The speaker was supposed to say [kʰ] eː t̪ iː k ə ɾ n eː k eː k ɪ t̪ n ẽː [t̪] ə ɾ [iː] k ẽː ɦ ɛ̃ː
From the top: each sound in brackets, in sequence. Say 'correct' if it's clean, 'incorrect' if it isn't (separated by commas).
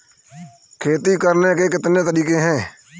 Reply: correct, correct, correct